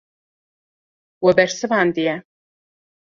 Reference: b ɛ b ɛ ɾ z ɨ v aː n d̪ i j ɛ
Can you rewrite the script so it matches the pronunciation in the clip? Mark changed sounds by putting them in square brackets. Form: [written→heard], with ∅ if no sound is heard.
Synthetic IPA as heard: [b→w] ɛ b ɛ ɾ [z→s] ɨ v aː n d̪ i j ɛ